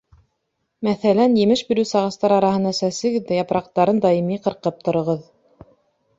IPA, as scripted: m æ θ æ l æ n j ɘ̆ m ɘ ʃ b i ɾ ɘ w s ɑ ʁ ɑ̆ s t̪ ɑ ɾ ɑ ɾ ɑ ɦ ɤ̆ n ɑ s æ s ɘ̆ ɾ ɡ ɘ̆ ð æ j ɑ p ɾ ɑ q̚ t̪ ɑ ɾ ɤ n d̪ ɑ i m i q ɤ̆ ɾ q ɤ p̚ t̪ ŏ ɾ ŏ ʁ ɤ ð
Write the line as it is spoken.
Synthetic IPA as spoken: m æ θ æ l æ n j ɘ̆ m ɘ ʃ b i ɾ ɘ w s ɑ ʁ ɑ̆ s t̪ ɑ ɾ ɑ ɾ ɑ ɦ ɤ̆ n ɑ s æ s ɘ̆ ɡ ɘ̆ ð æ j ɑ p ɾ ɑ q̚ t̪ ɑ ɾ ɤ n d̪ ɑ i m i q ɤ̆ ɾ q ɤ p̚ t̪ ŏ ɾ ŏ ʁ ɤ ð